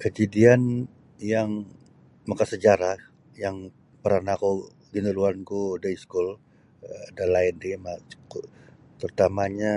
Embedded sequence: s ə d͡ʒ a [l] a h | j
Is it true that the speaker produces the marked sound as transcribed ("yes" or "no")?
no